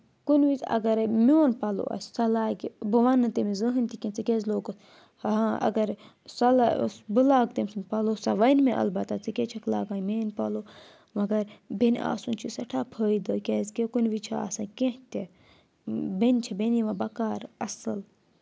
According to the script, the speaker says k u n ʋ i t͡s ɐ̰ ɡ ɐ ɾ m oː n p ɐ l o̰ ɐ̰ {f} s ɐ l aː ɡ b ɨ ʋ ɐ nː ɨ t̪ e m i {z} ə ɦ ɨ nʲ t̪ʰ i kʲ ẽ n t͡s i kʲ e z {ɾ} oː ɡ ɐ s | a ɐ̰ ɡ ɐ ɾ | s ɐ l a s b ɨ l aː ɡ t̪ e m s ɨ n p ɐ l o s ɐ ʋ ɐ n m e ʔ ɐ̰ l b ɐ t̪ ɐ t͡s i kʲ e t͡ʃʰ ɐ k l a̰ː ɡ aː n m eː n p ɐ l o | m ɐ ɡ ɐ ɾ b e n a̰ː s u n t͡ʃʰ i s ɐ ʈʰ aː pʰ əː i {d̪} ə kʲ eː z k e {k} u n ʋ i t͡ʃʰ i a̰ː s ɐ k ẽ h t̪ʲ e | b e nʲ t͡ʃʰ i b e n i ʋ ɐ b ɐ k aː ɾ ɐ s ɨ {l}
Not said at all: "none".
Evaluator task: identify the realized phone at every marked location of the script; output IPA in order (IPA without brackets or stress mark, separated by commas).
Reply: s, z, l, d̪, k, l